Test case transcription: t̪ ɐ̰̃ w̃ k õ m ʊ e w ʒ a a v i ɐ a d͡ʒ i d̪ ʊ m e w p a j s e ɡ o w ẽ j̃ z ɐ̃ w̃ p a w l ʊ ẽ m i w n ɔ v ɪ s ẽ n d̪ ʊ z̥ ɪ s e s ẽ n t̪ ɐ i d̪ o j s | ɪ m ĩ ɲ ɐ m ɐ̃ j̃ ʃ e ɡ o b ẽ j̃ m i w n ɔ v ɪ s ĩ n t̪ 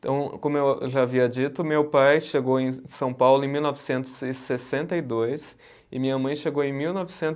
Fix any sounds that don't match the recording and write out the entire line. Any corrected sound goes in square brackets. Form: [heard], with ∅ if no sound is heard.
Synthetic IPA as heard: t̪ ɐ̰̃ w̃ k õ m ʊ e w ʒ a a v i ɐ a d͡ʒ i [t̪] ʊ m e w p a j [ʃ] e ɡ o w ẽ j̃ [s] ɐ̃ w̃ p a w l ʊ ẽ m i w n ɔ v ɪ s ẽ n [t̪] ʊ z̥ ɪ s e s ẽ n t̪ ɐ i d̪ o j s | ɪ m ĩ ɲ ɐ m ɐ̃ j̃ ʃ e ɡ o [w] ẽ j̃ m i w n ɔ v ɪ s [ẽ] n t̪